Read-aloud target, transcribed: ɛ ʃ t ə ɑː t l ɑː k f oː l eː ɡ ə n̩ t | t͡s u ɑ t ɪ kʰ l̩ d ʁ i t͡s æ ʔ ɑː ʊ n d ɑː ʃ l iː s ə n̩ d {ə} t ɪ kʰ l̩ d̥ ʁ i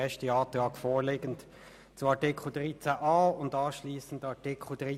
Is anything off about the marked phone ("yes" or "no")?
yes